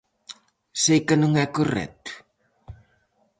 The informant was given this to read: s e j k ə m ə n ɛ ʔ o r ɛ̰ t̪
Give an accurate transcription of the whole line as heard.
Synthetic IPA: s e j k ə n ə ŋ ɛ k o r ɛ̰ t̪